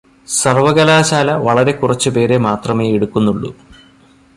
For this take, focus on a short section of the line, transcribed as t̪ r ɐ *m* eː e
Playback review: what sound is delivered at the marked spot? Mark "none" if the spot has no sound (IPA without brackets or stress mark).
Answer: m